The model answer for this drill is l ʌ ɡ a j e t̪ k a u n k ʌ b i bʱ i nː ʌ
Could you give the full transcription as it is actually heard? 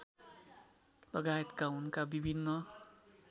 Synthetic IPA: l ʌ ɡ a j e t̪ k a u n k a b i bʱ i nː ʌ